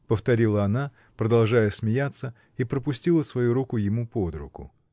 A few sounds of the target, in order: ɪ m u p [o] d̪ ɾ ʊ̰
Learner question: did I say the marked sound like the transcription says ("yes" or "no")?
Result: yes